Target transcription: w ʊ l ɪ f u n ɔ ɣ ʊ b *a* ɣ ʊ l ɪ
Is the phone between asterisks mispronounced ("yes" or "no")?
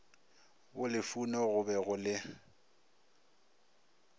yes